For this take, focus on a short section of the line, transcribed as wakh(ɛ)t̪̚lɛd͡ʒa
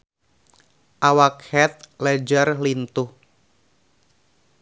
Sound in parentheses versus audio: correct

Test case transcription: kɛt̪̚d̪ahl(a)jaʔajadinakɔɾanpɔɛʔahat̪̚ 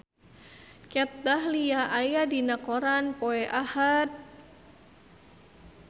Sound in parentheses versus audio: incorrect: i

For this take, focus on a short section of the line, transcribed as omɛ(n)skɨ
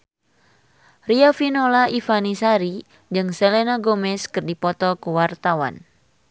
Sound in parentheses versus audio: incorrect: none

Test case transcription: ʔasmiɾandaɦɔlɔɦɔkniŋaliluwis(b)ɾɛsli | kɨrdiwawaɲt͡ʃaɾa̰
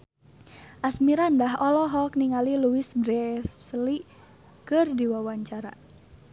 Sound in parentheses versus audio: correct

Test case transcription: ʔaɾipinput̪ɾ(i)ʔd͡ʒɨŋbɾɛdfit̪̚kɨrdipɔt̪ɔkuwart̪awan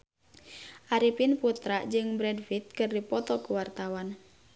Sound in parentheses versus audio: incorrect: a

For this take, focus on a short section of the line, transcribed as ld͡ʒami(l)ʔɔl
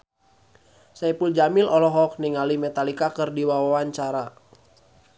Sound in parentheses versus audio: correct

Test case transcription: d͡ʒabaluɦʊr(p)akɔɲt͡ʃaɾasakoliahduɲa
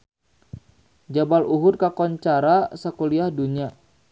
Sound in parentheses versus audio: incorrect: k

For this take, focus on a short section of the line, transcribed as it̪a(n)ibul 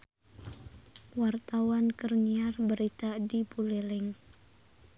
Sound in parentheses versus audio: incorrect: d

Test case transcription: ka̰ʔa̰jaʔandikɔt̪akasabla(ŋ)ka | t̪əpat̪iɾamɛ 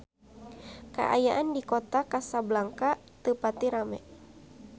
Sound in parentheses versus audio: correct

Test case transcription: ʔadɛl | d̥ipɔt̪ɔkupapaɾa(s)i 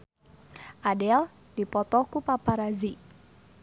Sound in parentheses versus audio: incorrect: z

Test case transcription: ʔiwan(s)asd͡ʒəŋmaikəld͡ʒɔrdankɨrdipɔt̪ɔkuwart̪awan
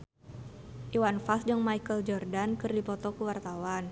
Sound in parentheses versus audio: incorrect: f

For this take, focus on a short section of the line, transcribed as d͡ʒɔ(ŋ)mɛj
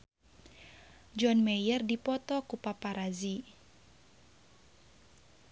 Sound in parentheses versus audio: incorrect: n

